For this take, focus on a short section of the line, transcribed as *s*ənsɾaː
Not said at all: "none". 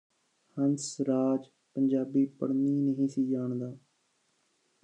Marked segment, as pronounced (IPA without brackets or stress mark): h